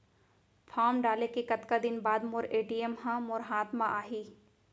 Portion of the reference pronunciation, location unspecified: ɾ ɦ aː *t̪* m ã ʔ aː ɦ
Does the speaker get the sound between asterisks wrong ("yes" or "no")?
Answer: no